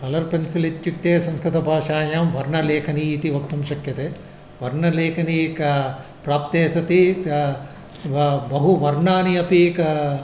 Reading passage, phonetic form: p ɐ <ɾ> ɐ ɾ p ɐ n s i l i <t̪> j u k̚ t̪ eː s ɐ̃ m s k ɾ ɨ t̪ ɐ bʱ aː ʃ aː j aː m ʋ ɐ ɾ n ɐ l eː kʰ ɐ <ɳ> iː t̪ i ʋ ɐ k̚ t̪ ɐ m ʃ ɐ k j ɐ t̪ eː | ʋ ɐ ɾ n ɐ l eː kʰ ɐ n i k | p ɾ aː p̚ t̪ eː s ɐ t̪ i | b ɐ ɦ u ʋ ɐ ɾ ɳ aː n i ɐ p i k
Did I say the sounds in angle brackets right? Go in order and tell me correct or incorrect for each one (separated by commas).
incorrect, correct, incorrect